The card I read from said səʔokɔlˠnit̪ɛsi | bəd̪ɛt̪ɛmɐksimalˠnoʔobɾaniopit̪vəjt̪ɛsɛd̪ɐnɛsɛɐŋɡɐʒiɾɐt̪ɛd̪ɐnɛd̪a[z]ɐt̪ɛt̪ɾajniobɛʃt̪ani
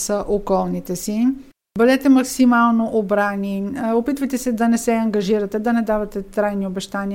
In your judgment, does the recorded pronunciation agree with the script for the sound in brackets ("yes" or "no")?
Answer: no